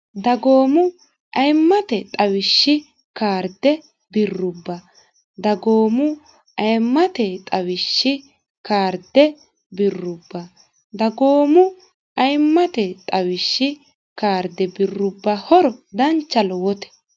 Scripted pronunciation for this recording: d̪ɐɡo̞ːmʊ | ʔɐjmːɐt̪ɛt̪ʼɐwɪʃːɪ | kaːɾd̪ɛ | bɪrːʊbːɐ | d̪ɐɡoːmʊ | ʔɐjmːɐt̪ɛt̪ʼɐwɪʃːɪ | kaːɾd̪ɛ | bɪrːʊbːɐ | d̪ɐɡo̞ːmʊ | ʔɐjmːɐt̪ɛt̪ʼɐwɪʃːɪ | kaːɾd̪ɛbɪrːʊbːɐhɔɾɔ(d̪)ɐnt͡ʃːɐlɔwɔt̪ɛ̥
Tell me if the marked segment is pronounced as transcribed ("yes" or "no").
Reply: yes